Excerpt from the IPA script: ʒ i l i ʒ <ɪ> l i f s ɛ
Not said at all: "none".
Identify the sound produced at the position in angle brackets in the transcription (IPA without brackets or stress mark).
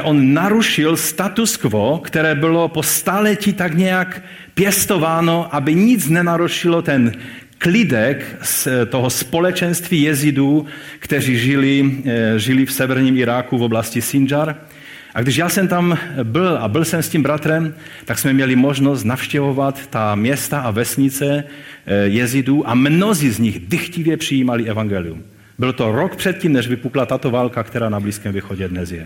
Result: i